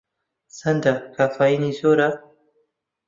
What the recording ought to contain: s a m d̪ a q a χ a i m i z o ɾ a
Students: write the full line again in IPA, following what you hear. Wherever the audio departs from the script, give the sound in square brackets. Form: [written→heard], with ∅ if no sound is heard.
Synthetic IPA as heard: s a [m→n] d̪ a [q→k] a [χ→f] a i [m→n] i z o ɾ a